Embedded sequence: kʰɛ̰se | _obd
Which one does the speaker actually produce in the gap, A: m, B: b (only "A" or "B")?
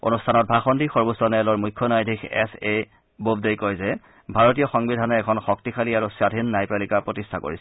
B